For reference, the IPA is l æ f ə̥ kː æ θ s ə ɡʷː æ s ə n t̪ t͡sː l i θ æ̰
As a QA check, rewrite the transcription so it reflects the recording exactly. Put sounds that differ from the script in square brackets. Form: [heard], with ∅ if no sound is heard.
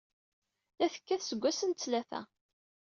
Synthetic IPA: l æ [θ] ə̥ kː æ θ s ə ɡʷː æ s ə n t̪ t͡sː l [æ] θ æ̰

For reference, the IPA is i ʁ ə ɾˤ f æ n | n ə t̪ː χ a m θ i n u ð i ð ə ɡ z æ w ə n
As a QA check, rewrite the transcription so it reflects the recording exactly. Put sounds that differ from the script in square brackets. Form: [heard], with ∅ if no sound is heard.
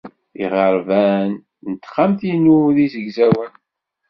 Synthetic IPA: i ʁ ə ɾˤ [v] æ n | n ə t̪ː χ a m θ i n u ð i [z] ə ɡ z æ w ə n

